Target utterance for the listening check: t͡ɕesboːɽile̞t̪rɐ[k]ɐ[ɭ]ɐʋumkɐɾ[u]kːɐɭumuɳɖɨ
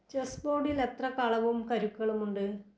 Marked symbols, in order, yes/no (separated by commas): yes, yes, yes